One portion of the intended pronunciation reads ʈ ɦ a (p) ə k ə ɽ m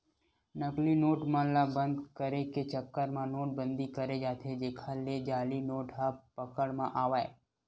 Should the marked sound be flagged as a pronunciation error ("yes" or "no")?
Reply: no